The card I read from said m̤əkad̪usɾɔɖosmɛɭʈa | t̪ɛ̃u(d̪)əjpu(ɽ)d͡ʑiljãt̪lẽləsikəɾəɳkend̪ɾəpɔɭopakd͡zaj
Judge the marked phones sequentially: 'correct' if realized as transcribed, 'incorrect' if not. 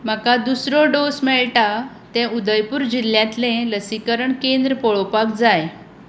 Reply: correct, incorrect

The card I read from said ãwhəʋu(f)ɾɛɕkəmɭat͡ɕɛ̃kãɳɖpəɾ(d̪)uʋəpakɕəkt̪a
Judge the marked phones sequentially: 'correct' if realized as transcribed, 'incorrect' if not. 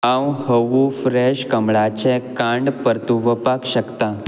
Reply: correct, incorrect

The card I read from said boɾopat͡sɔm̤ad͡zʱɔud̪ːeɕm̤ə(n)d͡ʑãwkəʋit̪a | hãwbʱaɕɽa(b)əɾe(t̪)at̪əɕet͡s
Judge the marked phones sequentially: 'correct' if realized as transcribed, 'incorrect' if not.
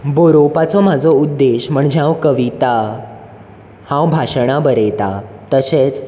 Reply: incorrect, correct, correct

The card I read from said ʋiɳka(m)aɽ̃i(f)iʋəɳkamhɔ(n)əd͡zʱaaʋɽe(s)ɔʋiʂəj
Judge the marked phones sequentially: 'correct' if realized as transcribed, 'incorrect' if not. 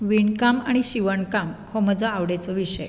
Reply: correct, incorrect, incorrect, incorrect

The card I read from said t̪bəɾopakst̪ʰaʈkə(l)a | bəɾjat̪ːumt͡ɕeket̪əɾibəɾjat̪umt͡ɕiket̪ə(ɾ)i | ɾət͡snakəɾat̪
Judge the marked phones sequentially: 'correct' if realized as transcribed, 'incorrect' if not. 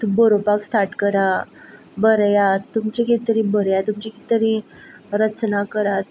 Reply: incorrect, correct

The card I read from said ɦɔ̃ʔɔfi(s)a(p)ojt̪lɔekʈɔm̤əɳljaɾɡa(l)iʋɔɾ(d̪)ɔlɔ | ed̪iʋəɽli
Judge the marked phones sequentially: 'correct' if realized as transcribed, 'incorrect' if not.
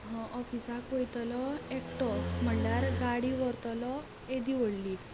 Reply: correct, incorrect, incorrect, incorrect

